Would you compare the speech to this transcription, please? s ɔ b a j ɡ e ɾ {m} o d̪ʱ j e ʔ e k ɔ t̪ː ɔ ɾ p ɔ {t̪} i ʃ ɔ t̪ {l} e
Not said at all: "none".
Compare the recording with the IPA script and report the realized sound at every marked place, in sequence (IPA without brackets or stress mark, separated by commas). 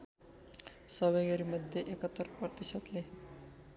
m, t̪, l